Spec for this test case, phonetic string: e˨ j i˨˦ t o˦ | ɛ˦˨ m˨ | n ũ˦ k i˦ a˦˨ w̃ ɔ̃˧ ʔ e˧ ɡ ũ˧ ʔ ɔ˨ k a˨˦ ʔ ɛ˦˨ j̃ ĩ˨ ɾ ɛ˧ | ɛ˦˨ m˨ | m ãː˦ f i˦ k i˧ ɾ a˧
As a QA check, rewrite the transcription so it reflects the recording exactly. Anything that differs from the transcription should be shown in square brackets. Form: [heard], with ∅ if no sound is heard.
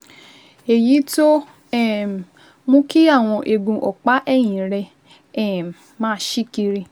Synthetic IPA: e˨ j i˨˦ t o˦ | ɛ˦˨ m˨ | [m] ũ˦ k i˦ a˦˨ w̃ ɔ̃˧ ʔ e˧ ɡ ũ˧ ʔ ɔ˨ [k͡p] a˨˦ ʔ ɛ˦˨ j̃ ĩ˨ ɾ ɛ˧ | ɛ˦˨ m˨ | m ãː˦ [ʃ] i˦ k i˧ ɾ [i˧]